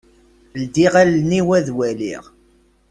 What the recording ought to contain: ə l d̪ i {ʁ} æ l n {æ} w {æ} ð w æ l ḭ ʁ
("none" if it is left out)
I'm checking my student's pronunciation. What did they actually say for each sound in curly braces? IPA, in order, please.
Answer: ʁ, i, æ

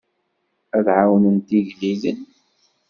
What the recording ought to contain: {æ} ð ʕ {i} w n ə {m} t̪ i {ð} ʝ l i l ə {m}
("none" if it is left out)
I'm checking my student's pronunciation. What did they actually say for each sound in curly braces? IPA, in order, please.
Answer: æ, a, n, none, n

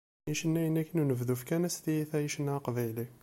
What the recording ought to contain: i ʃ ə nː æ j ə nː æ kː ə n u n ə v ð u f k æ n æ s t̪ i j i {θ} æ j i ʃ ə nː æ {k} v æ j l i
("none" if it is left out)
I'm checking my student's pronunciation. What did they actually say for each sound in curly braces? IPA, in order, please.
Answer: θ, q

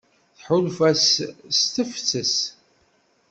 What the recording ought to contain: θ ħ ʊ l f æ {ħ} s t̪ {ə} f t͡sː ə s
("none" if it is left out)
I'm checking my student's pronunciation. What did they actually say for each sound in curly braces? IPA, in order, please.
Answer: s, ə

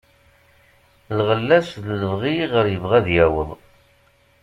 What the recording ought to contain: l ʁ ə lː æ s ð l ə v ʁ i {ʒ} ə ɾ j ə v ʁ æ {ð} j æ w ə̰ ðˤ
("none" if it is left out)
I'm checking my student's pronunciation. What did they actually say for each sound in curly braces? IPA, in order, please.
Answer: ʁ, ð

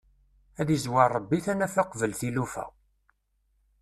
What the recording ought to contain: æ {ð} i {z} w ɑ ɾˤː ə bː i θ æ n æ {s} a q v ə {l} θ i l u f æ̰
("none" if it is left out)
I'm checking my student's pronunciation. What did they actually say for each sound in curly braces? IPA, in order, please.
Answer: ð, z, f, l

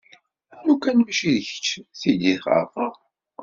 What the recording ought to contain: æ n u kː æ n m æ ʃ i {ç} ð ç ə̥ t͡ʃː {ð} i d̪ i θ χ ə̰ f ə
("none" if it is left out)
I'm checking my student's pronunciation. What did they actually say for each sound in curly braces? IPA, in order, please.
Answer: none, θ

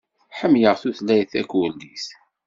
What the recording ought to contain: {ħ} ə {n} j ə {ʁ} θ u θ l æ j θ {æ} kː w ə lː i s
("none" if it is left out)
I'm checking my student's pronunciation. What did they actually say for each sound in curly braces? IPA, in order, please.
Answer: ħ, m, ʁ, æ

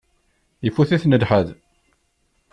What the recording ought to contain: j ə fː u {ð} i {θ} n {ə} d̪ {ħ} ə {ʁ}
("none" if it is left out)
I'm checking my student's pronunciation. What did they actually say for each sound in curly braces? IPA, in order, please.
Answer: θ, θ, ə, ħ, ð

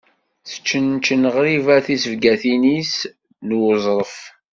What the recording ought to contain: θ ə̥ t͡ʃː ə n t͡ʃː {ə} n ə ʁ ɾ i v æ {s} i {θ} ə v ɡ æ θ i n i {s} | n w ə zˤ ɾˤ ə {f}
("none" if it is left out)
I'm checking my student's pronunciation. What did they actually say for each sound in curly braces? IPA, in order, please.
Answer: ə, θ, s, s, f

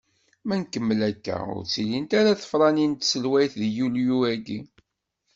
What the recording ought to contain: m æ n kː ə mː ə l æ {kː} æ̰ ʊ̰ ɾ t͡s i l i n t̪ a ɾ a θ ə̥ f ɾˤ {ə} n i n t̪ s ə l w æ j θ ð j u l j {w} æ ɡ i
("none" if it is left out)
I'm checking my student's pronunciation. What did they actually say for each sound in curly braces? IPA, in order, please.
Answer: kː, ɑ, u

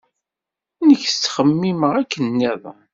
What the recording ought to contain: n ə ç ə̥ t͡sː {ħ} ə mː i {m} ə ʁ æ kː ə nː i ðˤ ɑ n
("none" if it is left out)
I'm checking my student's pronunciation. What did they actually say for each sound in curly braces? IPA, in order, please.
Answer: χ, m

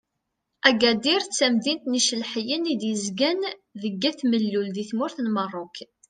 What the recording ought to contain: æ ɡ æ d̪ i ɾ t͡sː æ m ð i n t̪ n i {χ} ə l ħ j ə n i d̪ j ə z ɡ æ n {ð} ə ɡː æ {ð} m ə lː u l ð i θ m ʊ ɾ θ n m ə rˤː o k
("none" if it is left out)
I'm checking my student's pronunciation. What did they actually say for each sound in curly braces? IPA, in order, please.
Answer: ʃ, ð, θ

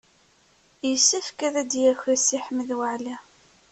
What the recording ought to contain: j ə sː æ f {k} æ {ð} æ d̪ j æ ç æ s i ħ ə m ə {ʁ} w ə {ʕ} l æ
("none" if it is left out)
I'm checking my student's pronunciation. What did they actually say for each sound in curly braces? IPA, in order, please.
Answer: k, ð, ð, ʕ

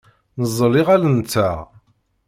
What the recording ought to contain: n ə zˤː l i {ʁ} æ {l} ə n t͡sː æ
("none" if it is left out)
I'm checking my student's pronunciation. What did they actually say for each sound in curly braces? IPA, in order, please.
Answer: ʁ, l

